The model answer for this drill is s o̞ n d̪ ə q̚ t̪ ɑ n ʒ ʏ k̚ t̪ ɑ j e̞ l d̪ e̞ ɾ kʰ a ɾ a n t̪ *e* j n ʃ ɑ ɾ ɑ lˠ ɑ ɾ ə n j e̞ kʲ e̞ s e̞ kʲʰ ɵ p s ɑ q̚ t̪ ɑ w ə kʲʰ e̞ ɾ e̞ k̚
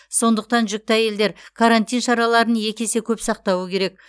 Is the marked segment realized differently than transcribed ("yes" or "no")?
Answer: yes